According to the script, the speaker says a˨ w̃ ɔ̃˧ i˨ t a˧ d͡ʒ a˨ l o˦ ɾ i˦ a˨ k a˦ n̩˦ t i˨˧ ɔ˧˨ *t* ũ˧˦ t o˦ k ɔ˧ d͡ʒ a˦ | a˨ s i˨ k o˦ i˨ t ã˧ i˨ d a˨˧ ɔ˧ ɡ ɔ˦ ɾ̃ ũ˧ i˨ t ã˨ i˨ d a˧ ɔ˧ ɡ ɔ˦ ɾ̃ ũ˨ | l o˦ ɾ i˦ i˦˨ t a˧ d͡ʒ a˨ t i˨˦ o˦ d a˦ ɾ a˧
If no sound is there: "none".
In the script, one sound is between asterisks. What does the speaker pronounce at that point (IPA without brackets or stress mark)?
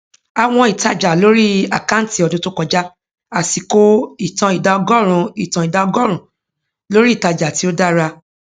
d